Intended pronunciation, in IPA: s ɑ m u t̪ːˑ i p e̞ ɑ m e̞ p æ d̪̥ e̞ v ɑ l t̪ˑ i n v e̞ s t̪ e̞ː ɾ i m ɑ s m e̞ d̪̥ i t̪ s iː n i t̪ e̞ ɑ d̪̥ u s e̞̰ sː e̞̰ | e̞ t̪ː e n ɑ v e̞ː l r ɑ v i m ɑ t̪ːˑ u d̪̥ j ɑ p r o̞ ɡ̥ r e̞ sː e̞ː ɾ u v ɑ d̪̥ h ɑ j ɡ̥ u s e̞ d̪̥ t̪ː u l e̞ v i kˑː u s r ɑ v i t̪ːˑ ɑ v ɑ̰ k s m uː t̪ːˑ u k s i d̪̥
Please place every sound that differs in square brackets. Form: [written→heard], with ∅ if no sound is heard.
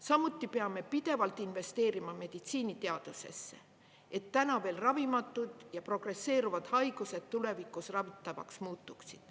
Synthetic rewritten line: s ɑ m u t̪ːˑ i p e̞ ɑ m e̞ p [æ→i] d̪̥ e̞ v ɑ l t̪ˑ i n v e̞ s t̪ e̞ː ɾ i m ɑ [s→∅] m e̞ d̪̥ i t̪ s iː n i t̪ e̞ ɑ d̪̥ u s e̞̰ sː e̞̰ | e̞ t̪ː [e→æ] n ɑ v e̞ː l r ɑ v i m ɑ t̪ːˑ u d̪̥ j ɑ p r o̞ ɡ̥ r e̞ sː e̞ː ɾ u v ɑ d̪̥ h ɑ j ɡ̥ u s e̞ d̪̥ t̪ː u l e̞ v i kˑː u s r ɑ v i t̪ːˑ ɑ v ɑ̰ k s m uː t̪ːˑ u k s i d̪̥